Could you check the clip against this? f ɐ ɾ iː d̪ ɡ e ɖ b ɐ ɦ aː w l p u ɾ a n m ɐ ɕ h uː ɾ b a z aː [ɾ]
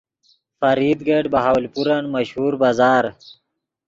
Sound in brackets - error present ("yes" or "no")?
no